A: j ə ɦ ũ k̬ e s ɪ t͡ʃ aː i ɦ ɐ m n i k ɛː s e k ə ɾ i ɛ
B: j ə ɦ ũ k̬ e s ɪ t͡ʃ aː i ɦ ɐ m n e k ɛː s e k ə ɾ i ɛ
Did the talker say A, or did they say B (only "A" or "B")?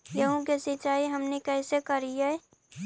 B